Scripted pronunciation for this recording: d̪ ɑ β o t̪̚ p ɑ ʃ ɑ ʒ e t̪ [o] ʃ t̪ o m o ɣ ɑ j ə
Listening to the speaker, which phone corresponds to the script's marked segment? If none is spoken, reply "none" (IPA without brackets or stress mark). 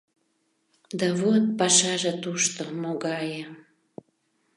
u